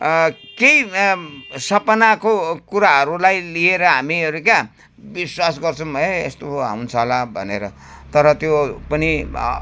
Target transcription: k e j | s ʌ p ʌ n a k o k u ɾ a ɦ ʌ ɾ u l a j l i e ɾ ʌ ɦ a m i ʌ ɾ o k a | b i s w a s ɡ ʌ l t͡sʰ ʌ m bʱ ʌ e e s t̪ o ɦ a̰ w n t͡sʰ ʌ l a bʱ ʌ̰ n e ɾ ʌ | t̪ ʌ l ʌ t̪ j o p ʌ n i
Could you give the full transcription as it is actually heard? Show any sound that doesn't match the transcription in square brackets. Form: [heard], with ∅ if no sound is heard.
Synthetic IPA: k e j | s ʌ p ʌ n a k o k u ɾ a ɦ ʌ ɾ u l a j l i e ɾ ʌ ɦ a m i ʌ ɾ [u] k a | b i s w a s ɡ ʌ [r] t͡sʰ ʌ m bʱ ʌ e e s t̪ o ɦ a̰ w n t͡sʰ ʌ l a bʱ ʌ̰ n e ɾ ʌ | t̪ ʌ [ɾ] ʌ t̪ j o p ʌ n i